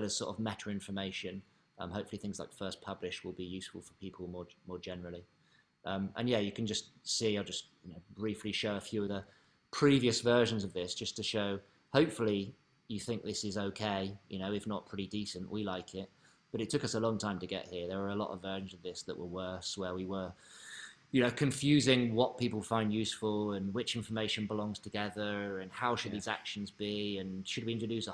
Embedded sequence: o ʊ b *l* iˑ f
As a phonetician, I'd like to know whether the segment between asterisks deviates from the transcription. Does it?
yes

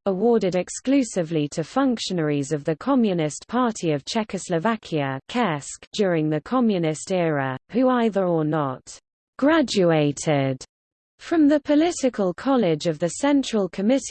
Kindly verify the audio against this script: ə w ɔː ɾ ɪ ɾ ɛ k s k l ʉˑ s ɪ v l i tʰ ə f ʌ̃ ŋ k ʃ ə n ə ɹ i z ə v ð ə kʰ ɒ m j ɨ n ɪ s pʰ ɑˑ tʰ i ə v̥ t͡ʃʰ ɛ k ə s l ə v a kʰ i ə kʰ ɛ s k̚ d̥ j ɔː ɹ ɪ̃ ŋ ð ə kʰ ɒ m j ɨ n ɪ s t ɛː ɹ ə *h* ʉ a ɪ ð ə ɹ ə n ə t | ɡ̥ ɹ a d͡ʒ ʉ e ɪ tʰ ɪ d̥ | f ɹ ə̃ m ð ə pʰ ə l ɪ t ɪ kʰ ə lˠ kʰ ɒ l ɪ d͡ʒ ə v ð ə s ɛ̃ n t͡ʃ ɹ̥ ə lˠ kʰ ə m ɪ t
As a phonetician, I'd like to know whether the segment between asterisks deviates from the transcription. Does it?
no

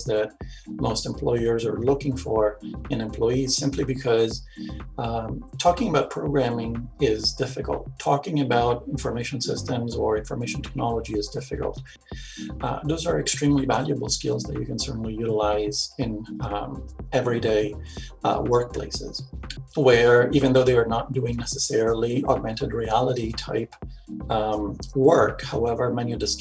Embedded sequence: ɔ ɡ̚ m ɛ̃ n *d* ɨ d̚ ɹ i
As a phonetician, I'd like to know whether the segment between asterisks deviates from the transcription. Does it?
yes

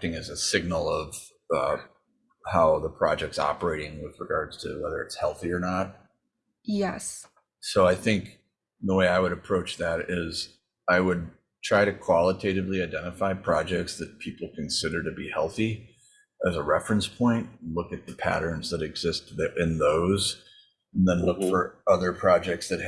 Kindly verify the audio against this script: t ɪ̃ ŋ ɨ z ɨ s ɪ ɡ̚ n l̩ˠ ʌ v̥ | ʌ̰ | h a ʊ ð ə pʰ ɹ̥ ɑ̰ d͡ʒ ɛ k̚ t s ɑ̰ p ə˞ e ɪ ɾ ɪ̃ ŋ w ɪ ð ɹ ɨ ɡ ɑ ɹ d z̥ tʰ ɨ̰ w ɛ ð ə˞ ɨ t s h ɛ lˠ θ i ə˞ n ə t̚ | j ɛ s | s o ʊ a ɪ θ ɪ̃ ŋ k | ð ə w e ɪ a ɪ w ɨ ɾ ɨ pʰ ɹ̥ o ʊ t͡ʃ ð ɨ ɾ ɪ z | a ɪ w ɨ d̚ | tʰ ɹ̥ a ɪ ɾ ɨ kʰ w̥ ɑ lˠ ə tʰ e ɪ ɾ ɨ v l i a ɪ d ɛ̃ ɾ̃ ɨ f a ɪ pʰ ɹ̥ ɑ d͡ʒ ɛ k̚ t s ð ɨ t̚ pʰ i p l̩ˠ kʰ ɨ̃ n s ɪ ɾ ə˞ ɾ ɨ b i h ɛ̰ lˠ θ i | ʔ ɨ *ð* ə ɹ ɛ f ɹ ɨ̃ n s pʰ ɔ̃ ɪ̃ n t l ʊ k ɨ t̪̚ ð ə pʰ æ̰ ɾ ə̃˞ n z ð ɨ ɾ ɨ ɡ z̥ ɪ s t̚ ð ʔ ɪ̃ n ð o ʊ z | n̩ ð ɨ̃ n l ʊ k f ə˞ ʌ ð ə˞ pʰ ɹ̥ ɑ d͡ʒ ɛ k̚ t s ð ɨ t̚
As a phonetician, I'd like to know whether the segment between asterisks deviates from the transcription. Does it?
yes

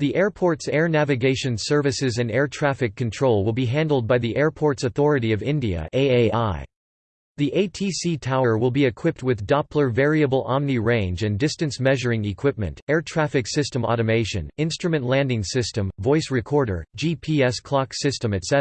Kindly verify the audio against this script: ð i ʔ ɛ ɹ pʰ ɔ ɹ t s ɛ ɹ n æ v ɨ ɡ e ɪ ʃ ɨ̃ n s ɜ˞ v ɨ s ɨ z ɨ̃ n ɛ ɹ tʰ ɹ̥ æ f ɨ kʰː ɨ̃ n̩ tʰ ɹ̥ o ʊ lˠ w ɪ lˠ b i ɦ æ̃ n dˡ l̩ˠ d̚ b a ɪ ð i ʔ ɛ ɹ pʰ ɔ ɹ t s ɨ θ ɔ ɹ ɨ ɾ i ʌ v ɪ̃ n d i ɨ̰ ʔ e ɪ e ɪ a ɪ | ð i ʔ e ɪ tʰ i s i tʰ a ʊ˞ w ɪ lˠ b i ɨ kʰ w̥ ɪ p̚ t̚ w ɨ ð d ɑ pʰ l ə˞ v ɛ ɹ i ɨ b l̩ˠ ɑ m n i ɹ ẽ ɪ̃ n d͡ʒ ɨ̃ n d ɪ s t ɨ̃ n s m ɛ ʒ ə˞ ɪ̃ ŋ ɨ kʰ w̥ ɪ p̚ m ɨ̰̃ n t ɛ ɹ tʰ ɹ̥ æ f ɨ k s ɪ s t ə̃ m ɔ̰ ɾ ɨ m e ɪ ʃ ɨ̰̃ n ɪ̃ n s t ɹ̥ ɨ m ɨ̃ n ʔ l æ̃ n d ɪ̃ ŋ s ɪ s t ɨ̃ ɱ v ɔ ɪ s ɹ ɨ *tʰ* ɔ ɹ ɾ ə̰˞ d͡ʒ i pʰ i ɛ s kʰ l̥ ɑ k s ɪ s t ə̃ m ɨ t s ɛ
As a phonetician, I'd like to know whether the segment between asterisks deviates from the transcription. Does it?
yes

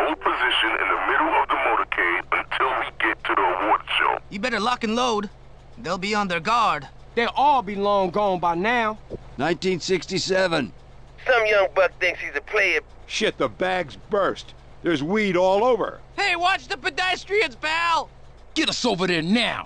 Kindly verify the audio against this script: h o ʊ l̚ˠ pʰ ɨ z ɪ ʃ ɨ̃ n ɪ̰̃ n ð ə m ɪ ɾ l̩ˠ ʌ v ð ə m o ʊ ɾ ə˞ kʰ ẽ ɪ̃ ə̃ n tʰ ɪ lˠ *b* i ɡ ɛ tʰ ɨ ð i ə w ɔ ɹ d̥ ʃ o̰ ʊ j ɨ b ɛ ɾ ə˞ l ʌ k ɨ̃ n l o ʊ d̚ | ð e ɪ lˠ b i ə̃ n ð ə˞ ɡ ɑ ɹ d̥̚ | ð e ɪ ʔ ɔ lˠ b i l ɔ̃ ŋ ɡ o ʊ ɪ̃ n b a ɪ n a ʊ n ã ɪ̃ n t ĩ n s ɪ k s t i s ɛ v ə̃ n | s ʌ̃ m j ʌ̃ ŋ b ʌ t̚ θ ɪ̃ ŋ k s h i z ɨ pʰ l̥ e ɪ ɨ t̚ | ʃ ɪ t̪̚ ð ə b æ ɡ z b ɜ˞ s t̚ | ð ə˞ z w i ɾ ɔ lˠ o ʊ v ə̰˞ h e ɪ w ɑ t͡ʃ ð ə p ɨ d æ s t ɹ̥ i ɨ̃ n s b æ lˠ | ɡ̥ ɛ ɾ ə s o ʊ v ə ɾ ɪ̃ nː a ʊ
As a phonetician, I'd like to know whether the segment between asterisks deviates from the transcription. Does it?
yes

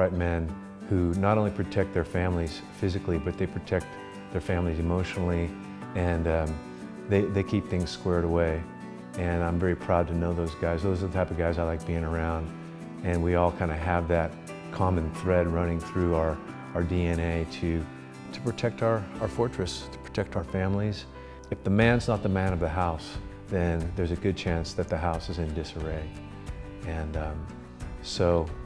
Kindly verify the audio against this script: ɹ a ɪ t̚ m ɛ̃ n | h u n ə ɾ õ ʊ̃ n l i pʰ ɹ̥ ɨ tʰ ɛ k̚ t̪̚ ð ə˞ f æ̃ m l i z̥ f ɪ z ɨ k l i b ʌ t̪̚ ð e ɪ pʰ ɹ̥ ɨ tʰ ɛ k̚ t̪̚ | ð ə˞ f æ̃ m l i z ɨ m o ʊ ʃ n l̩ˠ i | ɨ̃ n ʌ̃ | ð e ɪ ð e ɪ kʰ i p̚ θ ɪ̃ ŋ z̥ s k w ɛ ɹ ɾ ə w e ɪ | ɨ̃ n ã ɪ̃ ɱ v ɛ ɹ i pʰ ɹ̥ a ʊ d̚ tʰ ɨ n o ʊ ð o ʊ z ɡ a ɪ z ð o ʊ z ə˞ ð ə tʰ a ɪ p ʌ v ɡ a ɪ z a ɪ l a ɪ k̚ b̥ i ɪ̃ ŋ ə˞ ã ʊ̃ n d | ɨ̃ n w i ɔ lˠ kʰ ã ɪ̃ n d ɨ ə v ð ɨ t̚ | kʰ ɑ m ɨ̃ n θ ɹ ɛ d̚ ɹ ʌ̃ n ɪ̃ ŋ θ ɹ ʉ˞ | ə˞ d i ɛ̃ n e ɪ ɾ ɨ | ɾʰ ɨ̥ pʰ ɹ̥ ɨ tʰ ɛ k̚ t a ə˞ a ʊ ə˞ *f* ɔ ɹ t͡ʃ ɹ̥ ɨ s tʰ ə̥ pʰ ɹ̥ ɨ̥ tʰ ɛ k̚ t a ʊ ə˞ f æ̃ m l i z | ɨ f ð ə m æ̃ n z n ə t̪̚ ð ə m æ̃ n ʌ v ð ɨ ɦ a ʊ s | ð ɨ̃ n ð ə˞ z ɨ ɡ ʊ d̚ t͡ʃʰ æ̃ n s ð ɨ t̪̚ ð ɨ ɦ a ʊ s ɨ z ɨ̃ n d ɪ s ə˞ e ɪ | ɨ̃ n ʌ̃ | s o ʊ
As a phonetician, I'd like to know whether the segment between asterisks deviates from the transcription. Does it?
no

